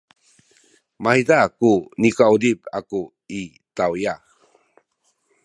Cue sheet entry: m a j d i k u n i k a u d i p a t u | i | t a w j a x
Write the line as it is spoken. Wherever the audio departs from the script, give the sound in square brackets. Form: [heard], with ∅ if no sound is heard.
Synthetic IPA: m a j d [a] k u n i k a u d i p a [k] u | i | t a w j a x